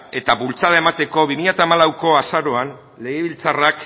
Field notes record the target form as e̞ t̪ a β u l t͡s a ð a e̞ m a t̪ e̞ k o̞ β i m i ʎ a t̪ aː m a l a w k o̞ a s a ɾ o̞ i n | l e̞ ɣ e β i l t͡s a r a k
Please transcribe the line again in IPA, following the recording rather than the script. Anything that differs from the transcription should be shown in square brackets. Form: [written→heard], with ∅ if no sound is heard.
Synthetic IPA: e̞ t̪ a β u l t͡s a ð a e̞ m a t̪ e̞ k o̞ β i m i ʎ a t̪ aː m a l a w k o̞ a s a ɾ o̞ [i→a] n | l e̞ ɣ e β i l t͡s a r a k